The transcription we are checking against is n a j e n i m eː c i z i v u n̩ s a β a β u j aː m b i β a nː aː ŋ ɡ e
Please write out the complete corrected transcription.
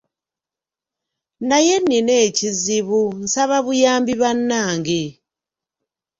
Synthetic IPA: n a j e n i n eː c i z i β u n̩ s a β a β u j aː m b i β a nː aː ŋ ɡ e